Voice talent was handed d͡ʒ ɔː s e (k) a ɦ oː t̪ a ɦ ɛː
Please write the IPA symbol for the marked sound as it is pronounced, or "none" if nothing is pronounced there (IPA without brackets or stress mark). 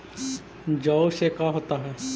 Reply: k